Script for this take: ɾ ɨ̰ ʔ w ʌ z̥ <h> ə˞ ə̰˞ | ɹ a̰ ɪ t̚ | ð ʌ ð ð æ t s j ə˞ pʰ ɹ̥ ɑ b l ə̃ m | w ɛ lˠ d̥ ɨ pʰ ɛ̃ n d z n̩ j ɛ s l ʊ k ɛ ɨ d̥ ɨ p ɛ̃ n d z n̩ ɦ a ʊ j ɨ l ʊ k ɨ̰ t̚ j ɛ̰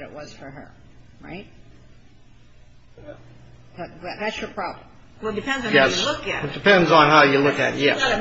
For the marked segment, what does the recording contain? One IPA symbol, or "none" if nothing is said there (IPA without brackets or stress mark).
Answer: f